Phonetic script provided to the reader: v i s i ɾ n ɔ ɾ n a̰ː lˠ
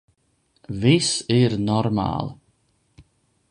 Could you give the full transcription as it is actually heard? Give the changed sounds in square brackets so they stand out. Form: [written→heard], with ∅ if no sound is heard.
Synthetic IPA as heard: v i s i ɾ n ɔ ɾ [n→m] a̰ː lˠ